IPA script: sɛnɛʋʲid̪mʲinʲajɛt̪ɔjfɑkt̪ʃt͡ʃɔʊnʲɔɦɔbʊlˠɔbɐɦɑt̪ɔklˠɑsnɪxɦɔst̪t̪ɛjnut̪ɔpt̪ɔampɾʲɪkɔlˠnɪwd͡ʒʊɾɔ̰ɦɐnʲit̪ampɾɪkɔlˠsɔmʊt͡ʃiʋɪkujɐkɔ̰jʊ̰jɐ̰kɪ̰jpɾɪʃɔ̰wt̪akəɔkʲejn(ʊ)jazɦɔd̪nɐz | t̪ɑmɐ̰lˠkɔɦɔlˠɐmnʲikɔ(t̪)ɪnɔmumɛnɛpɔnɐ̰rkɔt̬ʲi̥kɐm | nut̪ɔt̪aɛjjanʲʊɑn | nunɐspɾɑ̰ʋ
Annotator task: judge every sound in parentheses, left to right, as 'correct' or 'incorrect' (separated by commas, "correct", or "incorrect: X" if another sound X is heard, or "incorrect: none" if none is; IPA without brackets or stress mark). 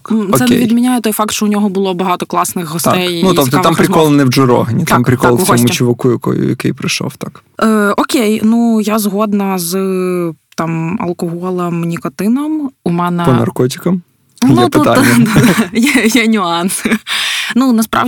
incorrect: u, correct